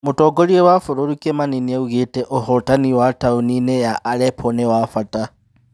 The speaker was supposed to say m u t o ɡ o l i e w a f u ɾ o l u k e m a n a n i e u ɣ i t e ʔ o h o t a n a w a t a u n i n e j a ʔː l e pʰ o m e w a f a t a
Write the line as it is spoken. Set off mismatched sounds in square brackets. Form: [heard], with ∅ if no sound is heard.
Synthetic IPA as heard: m u t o ɡ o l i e w a f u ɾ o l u k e m a n [i] n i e u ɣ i t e ʔ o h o t a n [i] w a t a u n i n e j a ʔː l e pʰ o [n] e w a f a t a